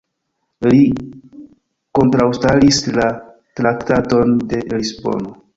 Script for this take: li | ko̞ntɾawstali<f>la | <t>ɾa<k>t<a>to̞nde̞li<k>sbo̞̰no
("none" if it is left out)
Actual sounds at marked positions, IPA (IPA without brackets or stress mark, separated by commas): s, t, k, a, none